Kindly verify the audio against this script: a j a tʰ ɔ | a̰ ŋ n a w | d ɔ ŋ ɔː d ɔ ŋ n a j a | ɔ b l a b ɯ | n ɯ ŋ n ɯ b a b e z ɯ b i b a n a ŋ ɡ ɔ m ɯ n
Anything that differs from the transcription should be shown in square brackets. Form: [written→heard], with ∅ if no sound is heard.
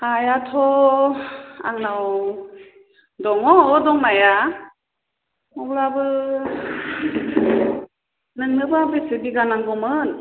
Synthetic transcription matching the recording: a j a tʰ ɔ | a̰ ŋ n a w | d ɔ ŋ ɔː d ɔ ŋ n a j a | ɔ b l a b ɯ | n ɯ ŋ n ɯ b a b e [z→s] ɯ b i [b→ɡ] a n a ŋ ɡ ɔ m ɯ n